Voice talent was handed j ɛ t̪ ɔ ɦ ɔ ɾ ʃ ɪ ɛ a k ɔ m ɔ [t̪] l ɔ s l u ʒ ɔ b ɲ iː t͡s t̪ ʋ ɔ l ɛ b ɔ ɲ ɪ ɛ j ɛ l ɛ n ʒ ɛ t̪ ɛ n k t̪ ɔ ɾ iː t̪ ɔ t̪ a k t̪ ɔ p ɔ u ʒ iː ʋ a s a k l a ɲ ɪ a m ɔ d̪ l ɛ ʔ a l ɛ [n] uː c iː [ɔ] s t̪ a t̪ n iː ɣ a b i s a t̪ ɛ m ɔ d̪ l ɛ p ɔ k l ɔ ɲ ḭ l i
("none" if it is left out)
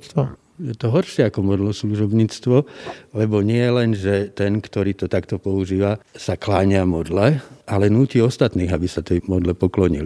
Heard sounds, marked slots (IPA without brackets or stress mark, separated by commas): d̪, n, ɔ